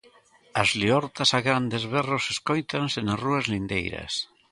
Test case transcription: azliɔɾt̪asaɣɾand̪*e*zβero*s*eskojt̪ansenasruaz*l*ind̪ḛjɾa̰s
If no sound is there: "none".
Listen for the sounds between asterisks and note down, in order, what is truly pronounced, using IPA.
e, s, l

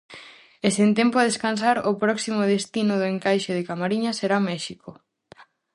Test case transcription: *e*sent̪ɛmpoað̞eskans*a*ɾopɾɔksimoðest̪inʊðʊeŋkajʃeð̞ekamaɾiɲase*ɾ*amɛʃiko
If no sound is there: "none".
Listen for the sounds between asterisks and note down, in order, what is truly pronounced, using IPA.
e, a, ɾ

